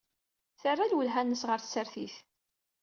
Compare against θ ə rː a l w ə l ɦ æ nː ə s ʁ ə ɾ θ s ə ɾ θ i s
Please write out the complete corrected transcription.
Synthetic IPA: θ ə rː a l w ə l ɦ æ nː ə s ʁ ə ɾ θ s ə ɾ θ i θ